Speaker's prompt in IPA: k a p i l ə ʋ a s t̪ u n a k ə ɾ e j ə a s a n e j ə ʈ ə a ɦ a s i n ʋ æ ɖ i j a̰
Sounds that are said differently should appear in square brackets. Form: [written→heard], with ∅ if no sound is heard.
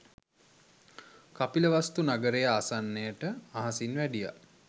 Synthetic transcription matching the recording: k a p i l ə ʋ a s t̪ u n a [k→ɡ] ə ɾ e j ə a s a [n→nː] e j ə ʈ ə a ɦ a s i n ʋ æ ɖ i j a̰